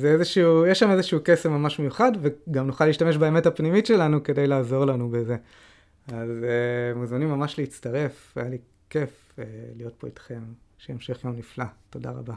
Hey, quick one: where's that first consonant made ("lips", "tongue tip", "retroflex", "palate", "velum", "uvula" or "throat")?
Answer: tongue tip